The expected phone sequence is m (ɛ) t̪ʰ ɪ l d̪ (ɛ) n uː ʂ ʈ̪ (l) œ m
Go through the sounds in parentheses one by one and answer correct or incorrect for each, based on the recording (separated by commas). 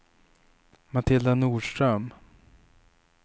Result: incorrect, incorrect, incorrect